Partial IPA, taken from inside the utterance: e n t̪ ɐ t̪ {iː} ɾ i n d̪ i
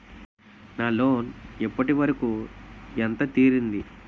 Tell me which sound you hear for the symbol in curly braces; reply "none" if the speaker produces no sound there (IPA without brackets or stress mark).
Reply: iː